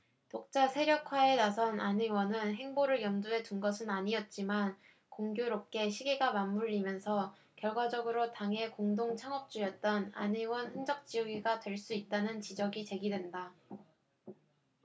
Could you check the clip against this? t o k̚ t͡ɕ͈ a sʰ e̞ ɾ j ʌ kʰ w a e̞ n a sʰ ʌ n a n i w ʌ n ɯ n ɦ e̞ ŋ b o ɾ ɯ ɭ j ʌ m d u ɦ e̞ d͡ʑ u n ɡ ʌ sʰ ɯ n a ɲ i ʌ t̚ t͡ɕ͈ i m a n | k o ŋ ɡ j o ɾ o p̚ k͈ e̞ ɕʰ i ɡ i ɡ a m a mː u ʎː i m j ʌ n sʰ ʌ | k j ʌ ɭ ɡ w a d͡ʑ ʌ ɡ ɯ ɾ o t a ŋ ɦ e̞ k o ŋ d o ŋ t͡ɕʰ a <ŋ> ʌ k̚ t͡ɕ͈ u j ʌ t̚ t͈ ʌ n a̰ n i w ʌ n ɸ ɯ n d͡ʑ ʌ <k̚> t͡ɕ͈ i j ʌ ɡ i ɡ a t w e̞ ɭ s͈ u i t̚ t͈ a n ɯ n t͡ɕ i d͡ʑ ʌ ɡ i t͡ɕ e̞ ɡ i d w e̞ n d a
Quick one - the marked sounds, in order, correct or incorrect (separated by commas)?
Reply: correct, correct